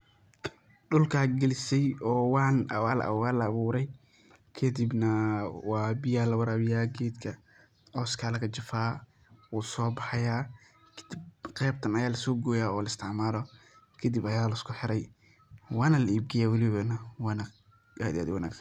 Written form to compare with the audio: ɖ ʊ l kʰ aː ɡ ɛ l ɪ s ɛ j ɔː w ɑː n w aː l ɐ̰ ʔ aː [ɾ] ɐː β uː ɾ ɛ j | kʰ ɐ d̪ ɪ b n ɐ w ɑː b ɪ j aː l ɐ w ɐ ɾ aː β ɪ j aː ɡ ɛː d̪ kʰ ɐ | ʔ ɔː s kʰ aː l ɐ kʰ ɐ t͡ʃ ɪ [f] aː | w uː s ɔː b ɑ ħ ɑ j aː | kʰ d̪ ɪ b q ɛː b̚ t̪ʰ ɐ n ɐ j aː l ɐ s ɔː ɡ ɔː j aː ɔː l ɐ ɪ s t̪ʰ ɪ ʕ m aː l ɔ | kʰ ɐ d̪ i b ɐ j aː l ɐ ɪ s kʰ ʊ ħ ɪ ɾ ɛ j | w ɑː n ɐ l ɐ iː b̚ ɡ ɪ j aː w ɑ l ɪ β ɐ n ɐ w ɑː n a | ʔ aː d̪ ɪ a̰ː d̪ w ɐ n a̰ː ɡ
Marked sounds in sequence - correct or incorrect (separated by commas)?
incorrect, correct